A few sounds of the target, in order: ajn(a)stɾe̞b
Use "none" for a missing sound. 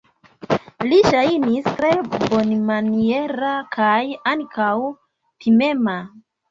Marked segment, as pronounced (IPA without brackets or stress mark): i